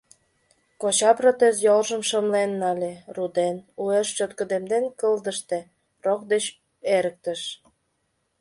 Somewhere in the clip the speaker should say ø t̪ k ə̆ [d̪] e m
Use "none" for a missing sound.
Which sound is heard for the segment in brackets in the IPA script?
d̪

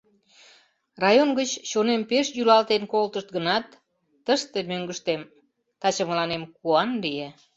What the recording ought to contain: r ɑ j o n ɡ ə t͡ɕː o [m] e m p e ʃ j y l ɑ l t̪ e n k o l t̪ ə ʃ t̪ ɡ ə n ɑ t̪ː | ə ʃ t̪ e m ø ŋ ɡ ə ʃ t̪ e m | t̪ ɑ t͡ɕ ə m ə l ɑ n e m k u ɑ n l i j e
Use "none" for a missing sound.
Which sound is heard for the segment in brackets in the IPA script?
n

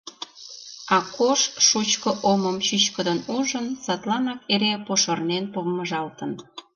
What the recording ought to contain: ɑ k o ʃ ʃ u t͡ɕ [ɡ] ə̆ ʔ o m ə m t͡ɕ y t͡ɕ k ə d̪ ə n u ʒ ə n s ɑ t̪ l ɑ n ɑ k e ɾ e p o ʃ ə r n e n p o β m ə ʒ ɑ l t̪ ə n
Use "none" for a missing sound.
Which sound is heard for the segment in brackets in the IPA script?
k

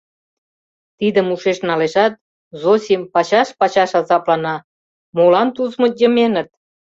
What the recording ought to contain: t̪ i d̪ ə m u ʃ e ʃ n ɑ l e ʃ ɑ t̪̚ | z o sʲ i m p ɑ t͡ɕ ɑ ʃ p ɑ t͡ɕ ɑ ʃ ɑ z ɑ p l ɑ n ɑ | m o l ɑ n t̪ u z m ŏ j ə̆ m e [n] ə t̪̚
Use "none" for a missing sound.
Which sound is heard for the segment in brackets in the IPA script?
n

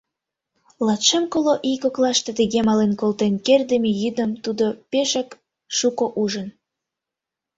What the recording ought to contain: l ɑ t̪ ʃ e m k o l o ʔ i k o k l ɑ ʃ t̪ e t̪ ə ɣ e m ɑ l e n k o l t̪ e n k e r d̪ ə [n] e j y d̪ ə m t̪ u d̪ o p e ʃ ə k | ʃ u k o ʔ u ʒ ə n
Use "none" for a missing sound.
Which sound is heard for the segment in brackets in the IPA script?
m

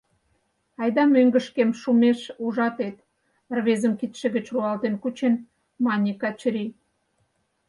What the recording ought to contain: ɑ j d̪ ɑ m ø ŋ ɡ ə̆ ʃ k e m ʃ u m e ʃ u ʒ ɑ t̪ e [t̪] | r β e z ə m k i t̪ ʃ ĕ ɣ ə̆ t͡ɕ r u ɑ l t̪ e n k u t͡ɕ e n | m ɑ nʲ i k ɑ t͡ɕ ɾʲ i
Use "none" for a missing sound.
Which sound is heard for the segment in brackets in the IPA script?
t̪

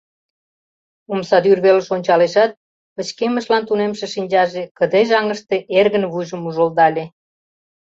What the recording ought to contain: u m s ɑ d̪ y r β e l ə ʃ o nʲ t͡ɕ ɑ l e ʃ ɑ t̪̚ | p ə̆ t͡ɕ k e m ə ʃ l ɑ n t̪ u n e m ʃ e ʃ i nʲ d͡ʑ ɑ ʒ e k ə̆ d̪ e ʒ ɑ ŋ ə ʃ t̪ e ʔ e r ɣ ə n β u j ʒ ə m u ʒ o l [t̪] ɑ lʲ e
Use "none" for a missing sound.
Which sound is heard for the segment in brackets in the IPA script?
d̪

